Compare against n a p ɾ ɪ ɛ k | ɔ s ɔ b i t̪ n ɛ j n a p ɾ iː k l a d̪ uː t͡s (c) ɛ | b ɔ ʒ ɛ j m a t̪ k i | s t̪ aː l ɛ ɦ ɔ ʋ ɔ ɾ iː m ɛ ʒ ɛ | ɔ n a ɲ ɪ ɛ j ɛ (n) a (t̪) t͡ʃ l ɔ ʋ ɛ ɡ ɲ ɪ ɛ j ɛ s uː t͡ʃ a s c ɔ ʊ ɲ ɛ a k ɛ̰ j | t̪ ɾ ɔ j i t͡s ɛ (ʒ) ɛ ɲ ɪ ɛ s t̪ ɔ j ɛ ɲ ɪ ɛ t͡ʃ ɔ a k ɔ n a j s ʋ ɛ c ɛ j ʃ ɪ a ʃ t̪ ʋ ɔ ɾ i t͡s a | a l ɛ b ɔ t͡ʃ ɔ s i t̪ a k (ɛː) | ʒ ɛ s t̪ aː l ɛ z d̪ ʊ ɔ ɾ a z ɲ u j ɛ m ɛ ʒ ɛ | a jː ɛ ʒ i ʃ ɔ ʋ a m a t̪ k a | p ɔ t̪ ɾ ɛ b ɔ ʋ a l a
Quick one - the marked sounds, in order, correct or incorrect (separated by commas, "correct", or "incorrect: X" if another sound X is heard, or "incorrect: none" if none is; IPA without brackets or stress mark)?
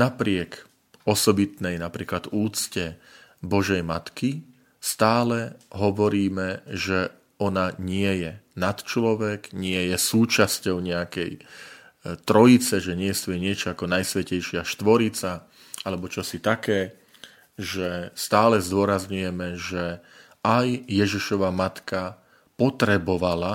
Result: correct, correct, correct, correct, correct